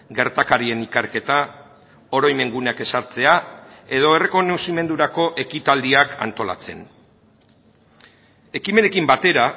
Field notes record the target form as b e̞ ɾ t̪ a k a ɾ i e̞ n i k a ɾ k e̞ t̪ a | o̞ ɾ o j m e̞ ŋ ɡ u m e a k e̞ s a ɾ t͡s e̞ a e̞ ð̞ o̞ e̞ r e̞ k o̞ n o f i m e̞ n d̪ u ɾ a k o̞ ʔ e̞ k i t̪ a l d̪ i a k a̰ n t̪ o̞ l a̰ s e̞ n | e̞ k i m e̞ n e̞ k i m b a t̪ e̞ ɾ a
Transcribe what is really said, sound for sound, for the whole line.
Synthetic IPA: ɡ e̞ ɾ t̪ a k a ɾ i e̞ n i k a ɾ k e̞ t̪ a | o̞ ɾ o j m e̞ ŋ ɡ u n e a k e̞ s a ɾ t͡s e̞ a e̞ ð̞ o̞ e̞ r e̞ k o̞ n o s i m e̞ n d̪ u ɾ a k o̞ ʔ e̞ k i t̪ a l d̪ i a k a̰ n t̪ o̞ l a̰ t͡s e̞ n | e̞ k i m e̞ n e̞ k i m b a t̪ e̞ ɾ a